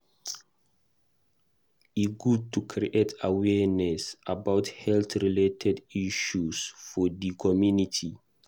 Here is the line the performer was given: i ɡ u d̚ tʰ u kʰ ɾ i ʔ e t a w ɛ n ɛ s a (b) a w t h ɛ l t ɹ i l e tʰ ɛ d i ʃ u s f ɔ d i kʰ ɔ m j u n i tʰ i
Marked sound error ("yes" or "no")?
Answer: no